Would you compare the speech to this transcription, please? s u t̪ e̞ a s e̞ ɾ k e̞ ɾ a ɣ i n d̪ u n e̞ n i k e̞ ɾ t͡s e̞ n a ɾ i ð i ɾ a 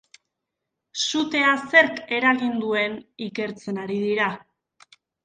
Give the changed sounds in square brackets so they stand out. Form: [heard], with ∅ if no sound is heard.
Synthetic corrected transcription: s u t̪ e̞ a s e̞ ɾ k e̞ ɾ a ɣ i n d̪ u [∅] e̞ n i k e̞ ɾ t͡s e̞ n a ɾ i ð i ɾ a